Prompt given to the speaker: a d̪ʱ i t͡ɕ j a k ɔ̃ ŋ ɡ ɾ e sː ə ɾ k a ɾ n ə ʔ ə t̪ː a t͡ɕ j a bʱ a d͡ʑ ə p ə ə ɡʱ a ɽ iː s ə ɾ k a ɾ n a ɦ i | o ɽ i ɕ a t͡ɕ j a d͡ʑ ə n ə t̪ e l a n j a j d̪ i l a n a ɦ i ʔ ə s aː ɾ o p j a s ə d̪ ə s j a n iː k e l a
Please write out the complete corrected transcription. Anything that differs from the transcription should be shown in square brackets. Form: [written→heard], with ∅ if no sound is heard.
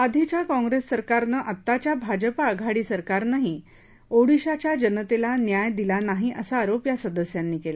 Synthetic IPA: a d̪ʱ i t͡ɕ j a k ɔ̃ ŋ ɡ ɾ e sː ə ɾ k a ɾ n ə ʔ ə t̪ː a t͡ɕ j a bʱ a d͡ʑ ə p [ə→a] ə ɡʱ a ɽ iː s ə ɾ k a ɾ n a ɦ i | o ɽ i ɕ a t͡ɕ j a d͡ʑ ə n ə t̪ e l a n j a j d̪ i l a n a ɦ i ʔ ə s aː ɾ o p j a s ə d̪ ə s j a [n→nː] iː k e l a